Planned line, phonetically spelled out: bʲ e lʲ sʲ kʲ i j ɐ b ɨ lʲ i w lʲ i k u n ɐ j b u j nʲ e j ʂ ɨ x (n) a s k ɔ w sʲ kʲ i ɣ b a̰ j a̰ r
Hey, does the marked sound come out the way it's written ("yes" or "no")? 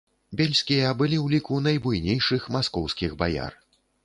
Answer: no